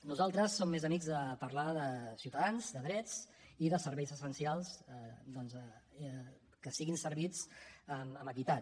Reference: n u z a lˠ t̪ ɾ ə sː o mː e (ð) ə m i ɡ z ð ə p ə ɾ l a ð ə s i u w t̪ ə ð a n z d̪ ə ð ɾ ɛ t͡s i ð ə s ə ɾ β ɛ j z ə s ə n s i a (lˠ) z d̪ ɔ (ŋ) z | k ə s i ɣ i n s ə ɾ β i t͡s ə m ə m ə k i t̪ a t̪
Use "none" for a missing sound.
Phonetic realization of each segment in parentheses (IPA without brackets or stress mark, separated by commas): z, lˠ, n